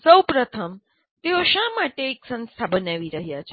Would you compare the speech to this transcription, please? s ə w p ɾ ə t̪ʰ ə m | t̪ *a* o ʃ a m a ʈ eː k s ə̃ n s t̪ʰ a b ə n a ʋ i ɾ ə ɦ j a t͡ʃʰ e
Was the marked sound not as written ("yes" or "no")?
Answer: yes